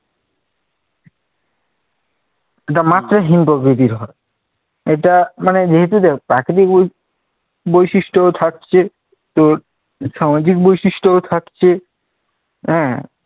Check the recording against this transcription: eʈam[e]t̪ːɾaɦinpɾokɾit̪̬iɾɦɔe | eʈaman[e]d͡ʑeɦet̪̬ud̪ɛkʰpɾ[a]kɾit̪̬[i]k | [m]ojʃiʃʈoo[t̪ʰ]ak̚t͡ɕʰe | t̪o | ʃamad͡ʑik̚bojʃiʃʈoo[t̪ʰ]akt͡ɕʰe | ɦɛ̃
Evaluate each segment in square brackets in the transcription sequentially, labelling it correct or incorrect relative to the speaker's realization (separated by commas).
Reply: incorrect, correct, correct, correct, incorrect, correct, correct